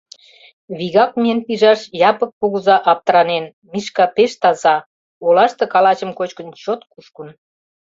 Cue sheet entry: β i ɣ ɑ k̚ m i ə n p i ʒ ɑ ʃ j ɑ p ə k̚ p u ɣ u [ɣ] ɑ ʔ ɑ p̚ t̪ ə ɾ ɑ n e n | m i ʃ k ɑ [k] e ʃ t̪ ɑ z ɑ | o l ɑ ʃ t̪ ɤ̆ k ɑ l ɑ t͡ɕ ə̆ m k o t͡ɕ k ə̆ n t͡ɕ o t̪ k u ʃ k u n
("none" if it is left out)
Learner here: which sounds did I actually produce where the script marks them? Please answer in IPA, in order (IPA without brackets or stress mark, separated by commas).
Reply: z, p